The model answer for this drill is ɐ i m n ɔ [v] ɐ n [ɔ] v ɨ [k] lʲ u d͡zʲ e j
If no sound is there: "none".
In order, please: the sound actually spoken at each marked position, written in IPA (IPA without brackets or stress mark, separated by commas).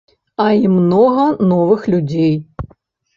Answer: ɣ, ɔ, x